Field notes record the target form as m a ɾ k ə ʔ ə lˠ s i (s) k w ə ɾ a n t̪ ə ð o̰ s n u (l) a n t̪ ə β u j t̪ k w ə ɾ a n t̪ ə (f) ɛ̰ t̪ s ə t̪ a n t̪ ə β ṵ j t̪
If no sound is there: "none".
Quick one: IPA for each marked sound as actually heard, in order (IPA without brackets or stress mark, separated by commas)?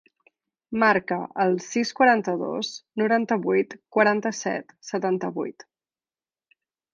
s, ɾ, s